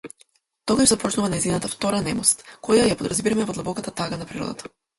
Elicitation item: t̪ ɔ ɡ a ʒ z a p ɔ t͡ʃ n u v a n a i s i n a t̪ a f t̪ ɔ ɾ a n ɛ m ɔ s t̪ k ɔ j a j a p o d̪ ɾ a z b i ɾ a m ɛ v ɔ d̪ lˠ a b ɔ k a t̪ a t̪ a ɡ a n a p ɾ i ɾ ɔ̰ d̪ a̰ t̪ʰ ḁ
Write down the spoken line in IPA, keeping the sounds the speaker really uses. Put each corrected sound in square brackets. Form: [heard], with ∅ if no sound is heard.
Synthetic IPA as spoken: t̪ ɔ ɡ a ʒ z a p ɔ t͡ʃ n u v a n a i [z] i n a t̪ a f t̪ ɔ ɾ a n ɛ m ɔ s t̪ k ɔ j a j a p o d̪ ɾ a z b i ɾ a m ɛ v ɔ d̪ lˠ a b ɔ k a t̪ a t̪ a ɡ a n a p ɾ i ɾ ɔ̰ d̪ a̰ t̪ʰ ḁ